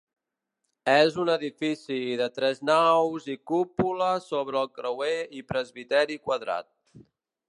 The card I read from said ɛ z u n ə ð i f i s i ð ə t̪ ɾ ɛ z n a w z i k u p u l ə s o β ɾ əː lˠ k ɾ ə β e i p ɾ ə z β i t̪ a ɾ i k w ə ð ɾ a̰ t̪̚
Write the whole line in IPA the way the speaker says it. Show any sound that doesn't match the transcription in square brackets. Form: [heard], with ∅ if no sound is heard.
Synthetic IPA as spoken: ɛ z u n ə ð i f i s i ð ə t̪ ɾ ɛ z n a w z i k u p u l ə s o β ɾ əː lˠ k ɾ ə [w] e i p ɾ ə z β i t̪ [ɛ] ɾ i k w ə ð ɾ a̰ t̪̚